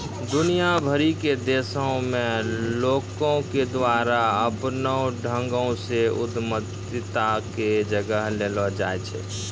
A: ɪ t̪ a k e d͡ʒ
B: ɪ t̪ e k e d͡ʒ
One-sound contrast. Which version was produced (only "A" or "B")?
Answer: A